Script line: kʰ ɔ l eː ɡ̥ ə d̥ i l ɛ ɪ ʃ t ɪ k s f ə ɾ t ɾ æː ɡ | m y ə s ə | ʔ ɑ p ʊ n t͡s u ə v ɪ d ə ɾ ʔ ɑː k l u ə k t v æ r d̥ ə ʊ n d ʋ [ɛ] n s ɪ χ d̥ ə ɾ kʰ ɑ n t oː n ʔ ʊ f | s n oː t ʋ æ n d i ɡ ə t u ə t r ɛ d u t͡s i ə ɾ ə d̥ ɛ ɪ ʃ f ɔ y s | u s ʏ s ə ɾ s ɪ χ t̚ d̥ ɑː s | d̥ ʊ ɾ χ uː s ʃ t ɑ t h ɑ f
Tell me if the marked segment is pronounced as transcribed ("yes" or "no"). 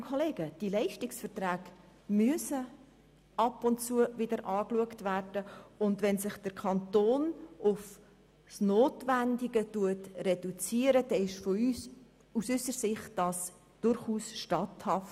yes